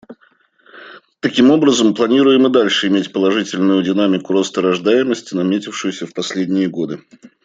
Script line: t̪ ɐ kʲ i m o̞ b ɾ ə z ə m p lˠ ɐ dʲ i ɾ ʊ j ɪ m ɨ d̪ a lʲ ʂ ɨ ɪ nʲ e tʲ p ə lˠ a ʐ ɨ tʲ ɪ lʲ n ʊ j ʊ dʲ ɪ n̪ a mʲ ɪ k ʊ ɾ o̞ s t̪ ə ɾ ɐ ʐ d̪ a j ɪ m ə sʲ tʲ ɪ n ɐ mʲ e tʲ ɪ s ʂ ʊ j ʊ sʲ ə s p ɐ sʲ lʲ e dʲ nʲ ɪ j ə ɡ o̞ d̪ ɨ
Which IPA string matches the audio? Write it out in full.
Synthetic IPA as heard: t̪ ɐ kʲ i m o̞ b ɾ ə z ə m p lˠ ɐ nʲ i ɾ ʊ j ɪ m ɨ d̪ a lʲ ʂ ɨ ɪ mʲ e tʲ p ə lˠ ɐ ʐ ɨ tʲ ɪ lʲ n ʊ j ʊ dʲ ɪ n̪ a mʲ ɪ k ʊ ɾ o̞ s t̪ ə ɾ ɐ ʐ d̪ a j ɪ m ə sʲ tʲ ɪ n ɐ mʲ e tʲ ɪ f ʂ ʊ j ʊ sʲ ə f p ɐ sʲ lʲ e dʲ nʲ ɪ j ə ɡ o̞ d̪ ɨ